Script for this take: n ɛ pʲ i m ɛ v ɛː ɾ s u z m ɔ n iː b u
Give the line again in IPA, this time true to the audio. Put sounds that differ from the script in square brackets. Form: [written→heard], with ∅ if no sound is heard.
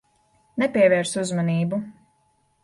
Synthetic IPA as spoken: n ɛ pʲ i [m→∅] ɛ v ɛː ɾ s u z m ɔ n iː b u